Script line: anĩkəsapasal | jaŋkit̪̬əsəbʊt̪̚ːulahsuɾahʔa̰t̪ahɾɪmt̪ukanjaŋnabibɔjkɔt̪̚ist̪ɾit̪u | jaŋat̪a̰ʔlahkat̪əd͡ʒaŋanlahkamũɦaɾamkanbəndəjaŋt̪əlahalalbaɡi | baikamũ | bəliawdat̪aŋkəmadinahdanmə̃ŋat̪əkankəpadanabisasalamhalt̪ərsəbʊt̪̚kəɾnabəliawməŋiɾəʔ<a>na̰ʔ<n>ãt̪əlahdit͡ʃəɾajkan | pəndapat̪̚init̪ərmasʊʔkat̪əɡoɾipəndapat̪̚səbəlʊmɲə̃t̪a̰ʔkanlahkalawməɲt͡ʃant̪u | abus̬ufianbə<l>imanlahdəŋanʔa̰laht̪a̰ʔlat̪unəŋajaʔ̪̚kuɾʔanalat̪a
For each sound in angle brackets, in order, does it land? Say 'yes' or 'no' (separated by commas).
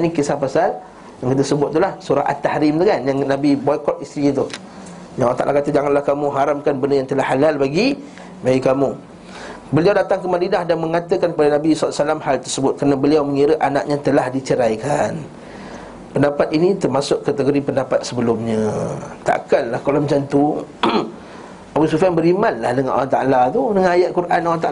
yes, no, no